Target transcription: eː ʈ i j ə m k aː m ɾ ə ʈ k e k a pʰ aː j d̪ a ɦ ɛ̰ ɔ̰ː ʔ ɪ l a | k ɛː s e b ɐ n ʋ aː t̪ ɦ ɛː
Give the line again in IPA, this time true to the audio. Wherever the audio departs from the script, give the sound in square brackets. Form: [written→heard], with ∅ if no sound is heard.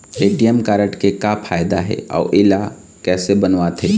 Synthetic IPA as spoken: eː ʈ i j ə m k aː [m→∅] ɾ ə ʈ k e k a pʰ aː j d̪ a ɦ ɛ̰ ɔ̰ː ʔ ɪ l a | k ɛː s e b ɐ n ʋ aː t̪ ɦ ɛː